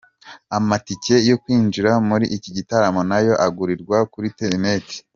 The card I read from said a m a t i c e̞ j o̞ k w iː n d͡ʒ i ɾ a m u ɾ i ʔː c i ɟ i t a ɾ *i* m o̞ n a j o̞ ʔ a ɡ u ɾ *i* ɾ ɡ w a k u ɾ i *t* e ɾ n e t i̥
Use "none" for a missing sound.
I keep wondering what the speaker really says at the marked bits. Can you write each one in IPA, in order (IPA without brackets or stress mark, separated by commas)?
a, i, t